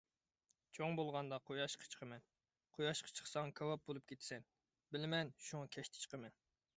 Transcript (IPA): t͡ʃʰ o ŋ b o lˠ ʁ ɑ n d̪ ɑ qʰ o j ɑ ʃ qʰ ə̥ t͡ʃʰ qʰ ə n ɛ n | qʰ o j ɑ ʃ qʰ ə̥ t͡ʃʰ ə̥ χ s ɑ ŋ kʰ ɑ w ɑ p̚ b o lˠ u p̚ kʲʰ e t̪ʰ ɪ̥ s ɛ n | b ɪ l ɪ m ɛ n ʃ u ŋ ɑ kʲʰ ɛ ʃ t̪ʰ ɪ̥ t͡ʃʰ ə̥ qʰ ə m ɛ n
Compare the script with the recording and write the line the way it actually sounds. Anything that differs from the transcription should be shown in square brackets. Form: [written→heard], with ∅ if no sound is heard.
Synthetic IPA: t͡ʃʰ o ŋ b o lˠ ʁ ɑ n d̪ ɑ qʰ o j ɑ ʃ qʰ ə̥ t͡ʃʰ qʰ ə [n→m] ɛ n | qʰ o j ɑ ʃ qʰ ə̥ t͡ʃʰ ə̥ χ s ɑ ŋ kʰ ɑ w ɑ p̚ b o lˠ u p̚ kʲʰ e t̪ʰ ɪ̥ s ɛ n | b ɪ l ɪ m ɛ n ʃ u ŋ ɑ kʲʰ ɛ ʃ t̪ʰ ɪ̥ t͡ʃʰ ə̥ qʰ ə m ɛ n